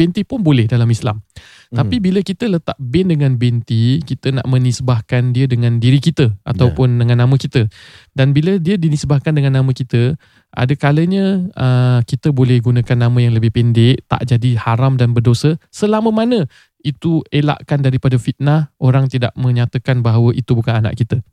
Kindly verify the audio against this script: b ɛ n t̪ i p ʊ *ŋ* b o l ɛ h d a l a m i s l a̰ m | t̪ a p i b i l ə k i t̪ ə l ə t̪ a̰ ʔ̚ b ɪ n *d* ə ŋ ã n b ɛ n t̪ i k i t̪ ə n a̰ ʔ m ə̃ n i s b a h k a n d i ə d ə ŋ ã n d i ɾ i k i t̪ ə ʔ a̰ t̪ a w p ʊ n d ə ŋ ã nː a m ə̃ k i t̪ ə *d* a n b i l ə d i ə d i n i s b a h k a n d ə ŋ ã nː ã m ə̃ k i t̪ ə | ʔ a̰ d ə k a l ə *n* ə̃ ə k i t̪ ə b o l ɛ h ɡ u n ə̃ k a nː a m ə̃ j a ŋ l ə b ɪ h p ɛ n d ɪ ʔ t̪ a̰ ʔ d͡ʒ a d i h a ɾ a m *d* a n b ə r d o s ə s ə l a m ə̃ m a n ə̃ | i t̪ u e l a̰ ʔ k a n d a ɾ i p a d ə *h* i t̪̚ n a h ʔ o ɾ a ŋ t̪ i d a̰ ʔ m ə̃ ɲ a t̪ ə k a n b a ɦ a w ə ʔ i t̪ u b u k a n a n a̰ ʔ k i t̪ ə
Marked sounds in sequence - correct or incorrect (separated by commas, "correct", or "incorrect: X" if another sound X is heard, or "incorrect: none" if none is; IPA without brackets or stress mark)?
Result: incorrect: n, correct, correct, incorrect: ɲ, correct, incorrect: f